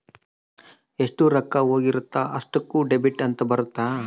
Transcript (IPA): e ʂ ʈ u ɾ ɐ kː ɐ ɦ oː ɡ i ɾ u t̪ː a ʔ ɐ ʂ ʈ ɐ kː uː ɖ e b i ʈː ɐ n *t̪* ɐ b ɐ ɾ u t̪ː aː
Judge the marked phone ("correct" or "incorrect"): correct